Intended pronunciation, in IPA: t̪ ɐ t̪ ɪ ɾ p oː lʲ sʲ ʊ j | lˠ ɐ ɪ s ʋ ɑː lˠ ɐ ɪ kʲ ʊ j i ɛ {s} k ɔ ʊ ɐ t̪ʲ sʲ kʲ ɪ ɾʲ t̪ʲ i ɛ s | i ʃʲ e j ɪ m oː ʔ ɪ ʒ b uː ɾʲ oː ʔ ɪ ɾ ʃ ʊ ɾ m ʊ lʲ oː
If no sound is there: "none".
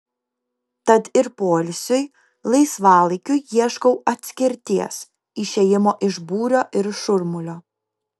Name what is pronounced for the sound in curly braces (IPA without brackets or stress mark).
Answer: ʃ